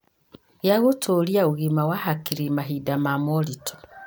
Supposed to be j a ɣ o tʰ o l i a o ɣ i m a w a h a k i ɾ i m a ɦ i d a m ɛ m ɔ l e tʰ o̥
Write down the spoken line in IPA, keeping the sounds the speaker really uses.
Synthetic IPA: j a ɣ o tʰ o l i a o ɣ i m a w a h a k i ɾ i m a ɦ i d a m a m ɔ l i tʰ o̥

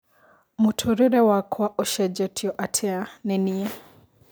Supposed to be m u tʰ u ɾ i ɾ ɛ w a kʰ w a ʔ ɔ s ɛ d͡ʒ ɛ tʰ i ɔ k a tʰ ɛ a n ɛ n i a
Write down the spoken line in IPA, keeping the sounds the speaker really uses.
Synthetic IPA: m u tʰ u ɾ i ɾ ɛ w a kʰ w a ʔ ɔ ʃ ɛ d͡ʒ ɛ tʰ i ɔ ʔ a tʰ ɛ a n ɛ n i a

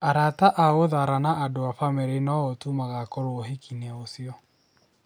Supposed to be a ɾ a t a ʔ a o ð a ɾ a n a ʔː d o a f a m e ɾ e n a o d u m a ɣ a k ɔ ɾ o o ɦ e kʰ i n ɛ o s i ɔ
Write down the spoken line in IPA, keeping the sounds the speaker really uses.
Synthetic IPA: a ɾ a t a ʔ a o ð a ɾ a n a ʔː d o a f a m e ɾ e n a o t u m a ɣ a k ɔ ɾ o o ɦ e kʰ i n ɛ o s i ɔ

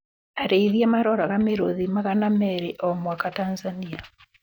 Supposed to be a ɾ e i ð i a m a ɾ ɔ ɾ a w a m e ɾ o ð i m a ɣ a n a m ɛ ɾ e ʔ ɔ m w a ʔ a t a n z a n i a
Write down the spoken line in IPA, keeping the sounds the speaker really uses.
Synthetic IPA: a ɾ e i ð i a m a ɾ ɔ ɾ a ɣ a m e ɾ o ð i m a ɣ a n a m ɛ ɾ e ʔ ɔ m w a k a t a n z a n i a

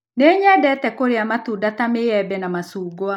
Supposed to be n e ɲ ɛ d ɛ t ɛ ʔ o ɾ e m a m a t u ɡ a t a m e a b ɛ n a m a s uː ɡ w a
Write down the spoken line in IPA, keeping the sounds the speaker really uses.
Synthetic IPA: n e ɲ ɛ d ɛ t ɛ k o ɾ e a m a t u d a t a m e ɛ b ɛ n a m a s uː ɡ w a

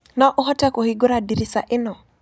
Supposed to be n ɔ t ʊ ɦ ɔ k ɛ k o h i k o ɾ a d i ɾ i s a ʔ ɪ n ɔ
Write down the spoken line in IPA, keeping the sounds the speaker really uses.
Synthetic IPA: n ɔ ʔ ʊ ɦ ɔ t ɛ k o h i ɡ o ɾ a d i ɾ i s a ʔ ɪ n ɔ

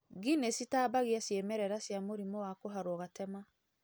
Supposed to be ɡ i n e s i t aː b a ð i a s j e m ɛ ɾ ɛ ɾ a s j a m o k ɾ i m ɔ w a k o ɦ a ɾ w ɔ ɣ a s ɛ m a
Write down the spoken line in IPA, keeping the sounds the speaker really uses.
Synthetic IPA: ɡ i n e s i t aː b a ɣ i a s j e m ɛ ɾ ɛ ɾ a s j a m o ɾ i m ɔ w a k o ɦ a ɾ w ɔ ɣ a t ɛ m a

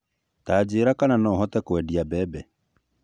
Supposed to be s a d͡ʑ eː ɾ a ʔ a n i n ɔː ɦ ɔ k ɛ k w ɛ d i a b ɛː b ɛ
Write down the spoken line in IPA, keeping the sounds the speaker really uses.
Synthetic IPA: t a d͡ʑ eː ɾ a k a n a n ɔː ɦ ɔ t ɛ k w ɛ d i a b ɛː b ɛ

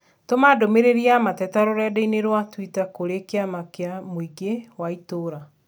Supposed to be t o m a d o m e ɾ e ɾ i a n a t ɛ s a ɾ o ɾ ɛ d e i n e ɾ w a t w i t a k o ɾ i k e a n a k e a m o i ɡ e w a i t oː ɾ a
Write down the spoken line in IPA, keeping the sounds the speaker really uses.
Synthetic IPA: t o m a d o m e ɾ e ɾ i a m a t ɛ t a ɾ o ɾ ɛ d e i n e ɾ w a t w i t a k o ɾ e k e a m a k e a m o i ɡ e w a i t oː ɾ a

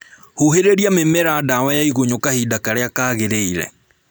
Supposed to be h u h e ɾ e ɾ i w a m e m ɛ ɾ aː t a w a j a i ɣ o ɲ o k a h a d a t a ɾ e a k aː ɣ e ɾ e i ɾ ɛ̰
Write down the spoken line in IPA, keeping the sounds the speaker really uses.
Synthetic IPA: h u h e ɾ e ɾ i a m e m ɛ ɾ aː d a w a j a i ɣ o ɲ o k a h i d a k a ɾ e a k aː ɣ e ɾ e i ɾ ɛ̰

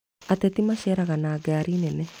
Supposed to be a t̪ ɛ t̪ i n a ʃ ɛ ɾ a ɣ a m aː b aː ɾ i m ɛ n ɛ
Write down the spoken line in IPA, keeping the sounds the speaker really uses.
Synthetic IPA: a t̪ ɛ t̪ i m a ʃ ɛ ɾ a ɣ a n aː ɡ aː ɾ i n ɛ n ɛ

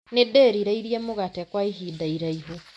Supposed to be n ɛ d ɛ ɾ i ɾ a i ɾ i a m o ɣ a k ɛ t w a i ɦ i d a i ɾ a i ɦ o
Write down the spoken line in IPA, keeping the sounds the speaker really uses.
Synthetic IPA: n e d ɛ ɾ i ɾ a i ɾ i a m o ɣ a t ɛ k w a i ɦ i d a i ɾ a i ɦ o

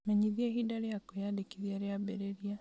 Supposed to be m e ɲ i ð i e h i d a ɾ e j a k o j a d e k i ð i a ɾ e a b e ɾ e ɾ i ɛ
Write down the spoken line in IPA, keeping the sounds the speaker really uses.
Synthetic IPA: m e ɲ i ð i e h i d a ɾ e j a k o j a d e k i ð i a ɾ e a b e ɾ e ɾ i a

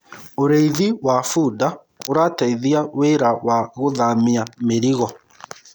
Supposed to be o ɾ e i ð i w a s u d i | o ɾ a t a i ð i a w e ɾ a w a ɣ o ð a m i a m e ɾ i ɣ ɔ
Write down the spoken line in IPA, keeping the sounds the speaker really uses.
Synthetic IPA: o ɾ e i ð i w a f u d a | o ɾ a t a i ð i a w e ɾ a w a ɣ o ð a m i a m e ɾ i ɣ ɔ

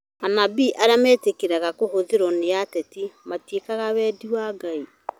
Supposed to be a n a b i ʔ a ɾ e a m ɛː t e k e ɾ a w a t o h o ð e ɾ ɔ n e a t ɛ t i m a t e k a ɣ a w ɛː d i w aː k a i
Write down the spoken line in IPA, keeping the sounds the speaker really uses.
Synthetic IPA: a n a b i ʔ a ɾ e a m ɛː t e k e ɾ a ɣ a k o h o ð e ɾ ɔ n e a t ɛ t i m a t e k a ɣ a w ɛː d i w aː ɡ a i

